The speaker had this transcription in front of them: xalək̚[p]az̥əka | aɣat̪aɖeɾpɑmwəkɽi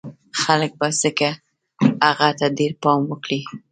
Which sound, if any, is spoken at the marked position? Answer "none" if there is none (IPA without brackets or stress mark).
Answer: b